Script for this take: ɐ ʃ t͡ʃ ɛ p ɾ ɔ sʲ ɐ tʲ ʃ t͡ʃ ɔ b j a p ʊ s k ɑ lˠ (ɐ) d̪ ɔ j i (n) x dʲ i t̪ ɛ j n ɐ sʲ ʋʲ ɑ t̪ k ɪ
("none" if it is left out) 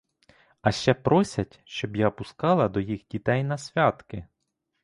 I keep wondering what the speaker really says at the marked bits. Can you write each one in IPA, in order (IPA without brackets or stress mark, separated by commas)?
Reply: ɐ, none